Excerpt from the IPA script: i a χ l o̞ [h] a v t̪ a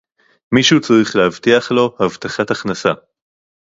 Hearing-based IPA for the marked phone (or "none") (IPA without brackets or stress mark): h